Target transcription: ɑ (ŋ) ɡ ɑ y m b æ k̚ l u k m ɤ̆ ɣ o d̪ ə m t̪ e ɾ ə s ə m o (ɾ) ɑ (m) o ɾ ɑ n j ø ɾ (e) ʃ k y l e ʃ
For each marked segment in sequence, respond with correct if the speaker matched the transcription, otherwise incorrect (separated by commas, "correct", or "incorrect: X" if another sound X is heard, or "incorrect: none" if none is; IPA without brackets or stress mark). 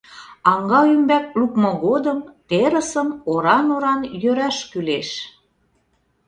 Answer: correct, correct, incorrect: n, incorrect: æ